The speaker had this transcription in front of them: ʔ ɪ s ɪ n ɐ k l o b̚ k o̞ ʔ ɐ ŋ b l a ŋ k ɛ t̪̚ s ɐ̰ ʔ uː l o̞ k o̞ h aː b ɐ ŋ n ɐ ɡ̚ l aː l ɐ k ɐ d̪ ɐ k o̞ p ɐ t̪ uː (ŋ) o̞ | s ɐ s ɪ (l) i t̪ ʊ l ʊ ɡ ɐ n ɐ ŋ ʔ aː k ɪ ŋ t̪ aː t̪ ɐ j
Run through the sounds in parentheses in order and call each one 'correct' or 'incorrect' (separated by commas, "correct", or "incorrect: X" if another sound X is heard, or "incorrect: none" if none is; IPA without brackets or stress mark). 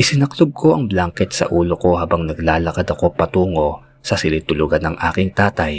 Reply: correct, correct